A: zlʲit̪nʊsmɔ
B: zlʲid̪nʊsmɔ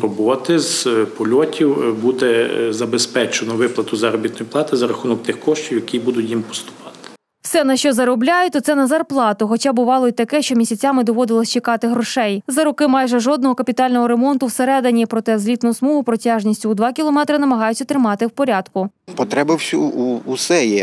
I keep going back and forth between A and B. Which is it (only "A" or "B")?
A